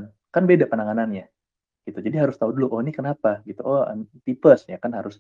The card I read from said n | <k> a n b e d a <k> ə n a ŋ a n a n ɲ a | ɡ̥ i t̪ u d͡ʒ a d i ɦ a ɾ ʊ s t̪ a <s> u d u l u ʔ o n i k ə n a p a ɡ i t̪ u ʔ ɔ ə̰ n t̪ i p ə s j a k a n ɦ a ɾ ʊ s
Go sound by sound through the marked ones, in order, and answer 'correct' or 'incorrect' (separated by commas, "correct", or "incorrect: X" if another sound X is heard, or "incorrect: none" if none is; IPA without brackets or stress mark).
correct, incorrect: p, incorrect: none